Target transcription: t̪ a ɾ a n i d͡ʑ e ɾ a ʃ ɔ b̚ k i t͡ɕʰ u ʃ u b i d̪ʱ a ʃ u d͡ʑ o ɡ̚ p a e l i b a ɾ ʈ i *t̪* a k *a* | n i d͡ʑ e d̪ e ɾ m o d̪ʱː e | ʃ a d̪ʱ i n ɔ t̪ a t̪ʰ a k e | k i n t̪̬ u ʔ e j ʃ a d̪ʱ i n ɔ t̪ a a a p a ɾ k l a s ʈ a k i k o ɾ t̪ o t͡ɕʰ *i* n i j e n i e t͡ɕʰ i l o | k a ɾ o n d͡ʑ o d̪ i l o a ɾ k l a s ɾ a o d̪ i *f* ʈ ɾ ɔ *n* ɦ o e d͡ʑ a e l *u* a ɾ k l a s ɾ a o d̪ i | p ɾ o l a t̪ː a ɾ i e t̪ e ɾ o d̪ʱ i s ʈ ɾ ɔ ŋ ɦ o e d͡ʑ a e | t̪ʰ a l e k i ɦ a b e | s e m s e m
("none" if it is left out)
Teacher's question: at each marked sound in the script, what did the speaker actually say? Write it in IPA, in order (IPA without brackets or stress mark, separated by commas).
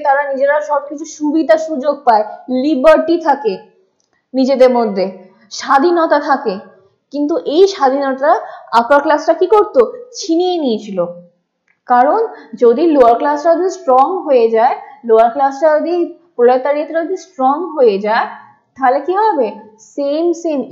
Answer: t̪ʰ, e, i, s, ŋ, o